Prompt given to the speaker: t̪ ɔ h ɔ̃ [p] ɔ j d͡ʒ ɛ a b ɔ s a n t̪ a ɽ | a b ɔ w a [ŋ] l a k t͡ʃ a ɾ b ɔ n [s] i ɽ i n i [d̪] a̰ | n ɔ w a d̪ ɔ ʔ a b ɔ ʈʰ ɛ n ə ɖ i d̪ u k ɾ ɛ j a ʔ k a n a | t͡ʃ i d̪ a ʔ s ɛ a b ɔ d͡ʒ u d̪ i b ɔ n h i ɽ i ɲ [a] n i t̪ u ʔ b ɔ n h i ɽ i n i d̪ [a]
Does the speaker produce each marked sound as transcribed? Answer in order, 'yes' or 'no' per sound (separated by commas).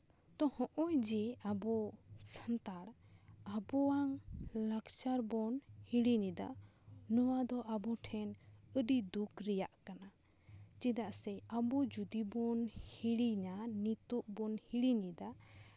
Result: no, yes, no, yes, yes, yes